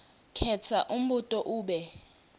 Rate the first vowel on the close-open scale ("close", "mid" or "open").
mid